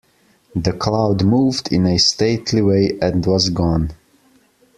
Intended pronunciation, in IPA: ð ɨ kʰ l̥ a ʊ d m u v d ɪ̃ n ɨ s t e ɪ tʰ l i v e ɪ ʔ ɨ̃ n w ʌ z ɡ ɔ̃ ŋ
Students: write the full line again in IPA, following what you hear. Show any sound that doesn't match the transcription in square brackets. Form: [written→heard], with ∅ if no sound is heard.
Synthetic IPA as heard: ð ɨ kʰ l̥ a ʊ d m u v d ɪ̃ n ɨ s t e ɪ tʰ l i [v→w] e ɪ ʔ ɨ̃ n w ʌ z ɡ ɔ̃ [ŋ→n]

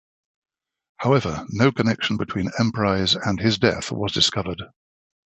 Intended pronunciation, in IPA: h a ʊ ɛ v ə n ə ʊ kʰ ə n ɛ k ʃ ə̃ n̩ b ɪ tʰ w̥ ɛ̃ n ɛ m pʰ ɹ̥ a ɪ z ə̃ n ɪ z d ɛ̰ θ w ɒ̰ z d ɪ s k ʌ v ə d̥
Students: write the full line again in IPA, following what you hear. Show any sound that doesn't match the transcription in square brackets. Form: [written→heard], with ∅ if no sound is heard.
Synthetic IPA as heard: h a ʊ ɛ v ə n ə ʊ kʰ ə n ɛ k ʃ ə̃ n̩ b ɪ tʰ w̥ [ɛ̃→ĩ] n [ɛ→ɛ̃] m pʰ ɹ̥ a ɪ z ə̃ n ɪ z d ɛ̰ θ w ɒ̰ z d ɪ s k ʌ v ə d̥

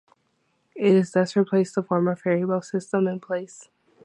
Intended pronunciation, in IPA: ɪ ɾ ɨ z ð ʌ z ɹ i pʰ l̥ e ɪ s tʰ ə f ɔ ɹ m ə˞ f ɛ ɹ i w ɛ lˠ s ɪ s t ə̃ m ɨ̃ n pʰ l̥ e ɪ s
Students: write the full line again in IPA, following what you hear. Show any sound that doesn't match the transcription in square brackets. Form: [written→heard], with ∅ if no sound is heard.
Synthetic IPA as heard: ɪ ɾ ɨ z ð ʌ [z→s] ɹ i pʰ l̥ e ɪ s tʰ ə f ɔ ɹ m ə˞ f ɛ ɹ i w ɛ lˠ s ɪ s t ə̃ m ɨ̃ n pʰ l̥ e ɪ s

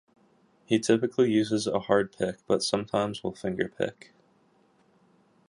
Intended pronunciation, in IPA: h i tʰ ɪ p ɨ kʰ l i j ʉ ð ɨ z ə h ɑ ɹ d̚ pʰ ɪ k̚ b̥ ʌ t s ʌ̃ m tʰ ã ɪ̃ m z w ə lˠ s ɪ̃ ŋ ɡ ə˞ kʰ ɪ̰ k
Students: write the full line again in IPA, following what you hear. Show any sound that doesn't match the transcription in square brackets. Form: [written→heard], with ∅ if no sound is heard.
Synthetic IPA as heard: h i tʰ ɪ p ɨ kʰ l i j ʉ [ð→z] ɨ z ə h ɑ ɹ d̚ pʰ ɪ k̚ b̥ ʌ t s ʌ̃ m tʰ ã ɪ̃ m z w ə lˠ [s→f] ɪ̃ ŋ ɡ ə˞ [kʰ→pʰ] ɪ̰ k

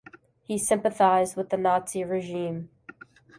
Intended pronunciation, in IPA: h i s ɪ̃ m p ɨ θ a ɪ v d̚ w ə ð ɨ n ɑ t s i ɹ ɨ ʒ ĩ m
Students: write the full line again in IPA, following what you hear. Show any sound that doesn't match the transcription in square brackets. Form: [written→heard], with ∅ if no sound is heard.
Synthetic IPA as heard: h i s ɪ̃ m p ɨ θ a ɪ [v→z] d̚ w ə ð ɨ n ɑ t s i ɹ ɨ ʒ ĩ m

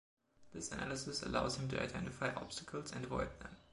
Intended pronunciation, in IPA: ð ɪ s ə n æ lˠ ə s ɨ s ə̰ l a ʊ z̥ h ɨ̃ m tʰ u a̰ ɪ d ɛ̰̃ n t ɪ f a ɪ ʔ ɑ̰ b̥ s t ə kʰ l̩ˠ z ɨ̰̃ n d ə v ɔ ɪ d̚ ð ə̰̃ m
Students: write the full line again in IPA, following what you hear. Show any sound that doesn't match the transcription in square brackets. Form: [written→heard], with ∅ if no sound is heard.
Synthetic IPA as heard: ð ɪ s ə n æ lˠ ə s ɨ s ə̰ l a ʊ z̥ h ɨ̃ m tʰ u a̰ ɪ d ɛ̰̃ n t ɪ f a ɪ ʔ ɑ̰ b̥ s t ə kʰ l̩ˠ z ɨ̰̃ n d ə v ɔ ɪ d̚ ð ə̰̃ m

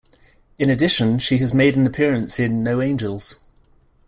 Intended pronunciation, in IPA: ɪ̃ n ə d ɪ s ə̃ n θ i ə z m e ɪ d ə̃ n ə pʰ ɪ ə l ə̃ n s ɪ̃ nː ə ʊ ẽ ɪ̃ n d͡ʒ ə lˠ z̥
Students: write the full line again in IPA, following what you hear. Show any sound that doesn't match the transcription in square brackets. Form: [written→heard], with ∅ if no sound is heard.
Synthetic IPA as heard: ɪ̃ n ə d ɪ [s→ʃ] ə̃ n [θ→ʃ] i ə z m e ɪ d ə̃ n ə pʰ ɪ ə [l→ɹ] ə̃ n s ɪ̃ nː ə ʊ ẽ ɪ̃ n d͡ʒ ə lˠ z̥

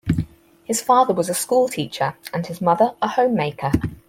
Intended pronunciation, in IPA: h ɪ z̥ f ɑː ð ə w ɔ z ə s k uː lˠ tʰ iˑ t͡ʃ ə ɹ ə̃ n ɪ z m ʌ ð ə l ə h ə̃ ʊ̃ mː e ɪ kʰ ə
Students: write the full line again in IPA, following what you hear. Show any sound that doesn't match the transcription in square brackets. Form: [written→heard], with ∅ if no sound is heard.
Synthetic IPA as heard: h ɪ z̥ f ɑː ð ə w [ɔ→ɒ] z ə s k uː lˠ tʰ iˑ t͡ʃ ə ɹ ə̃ n ɪ z m ʌ ð ə [l→ɹ] ə h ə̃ ʊ̃ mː e ɪ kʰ ə

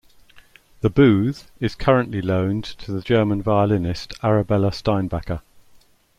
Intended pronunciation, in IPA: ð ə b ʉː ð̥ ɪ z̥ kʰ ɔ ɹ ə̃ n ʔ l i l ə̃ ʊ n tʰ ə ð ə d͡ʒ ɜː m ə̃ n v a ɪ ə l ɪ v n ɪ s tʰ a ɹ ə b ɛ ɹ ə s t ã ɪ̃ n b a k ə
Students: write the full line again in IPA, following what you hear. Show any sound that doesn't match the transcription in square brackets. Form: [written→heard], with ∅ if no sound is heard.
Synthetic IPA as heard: ð ə b ʉː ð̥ ɪ z̥ kʰ [ɔ→ʌ] ɹ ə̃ n ʔ l i l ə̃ [ʊ→ʊ̃] n tʰ ə ð ə d͡ʒ ɜː m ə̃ n v a ɪ ə l ɪ [v→∅] n ɪ s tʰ a ɹ ə b ɛ [ɹ→l] ə s t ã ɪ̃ n b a k ə

